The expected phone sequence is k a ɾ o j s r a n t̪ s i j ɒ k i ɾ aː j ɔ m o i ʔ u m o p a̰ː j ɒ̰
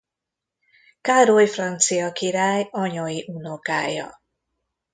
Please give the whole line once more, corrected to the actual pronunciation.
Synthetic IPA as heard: k a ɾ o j f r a n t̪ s i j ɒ k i ɾ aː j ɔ ɲ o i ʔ u n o k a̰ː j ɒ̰